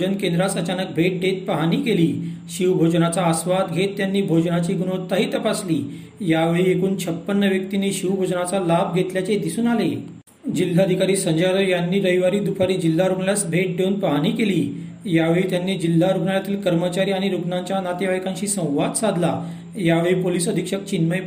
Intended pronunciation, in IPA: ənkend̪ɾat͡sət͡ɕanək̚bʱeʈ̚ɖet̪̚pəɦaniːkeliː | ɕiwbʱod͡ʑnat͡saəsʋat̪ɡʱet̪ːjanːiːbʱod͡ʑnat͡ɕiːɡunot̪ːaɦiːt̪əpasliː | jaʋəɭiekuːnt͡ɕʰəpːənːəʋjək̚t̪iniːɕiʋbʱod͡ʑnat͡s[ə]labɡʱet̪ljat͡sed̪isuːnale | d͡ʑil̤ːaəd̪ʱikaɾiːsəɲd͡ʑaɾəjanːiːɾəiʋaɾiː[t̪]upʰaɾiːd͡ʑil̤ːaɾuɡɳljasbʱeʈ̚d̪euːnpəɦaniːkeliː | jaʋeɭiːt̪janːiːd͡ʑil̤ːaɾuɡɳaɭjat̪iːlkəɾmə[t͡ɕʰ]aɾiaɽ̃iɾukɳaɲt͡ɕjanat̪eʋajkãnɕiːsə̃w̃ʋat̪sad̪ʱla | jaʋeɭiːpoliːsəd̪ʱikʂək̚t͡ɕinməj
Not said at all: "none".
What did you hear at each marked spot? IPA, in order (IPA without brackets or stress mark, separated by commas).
a, d̪, t͡ɕ